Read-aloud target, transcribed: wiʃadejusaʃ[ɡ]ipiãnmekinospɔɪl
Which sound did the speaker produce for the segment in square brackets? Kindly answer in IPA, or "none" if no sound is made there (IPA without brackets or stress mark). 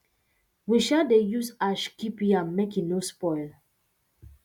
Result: k